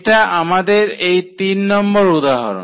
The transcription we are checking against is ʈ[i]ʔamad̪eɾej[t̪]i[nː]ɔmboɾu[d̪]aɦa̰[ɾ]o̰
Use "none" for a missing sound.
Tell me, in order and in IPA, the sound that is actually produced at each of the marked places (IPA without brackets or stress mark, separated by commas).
a, t̪, nː, d̪, ɾ